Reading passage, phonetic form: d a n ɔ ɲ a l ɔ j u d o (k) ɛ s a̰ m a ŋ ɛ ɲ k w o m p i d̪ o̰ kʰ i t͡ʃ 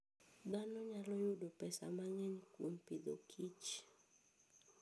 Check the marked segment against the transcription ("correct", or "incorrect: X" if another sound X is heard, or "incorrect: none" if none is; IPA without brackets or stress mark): incorrect: p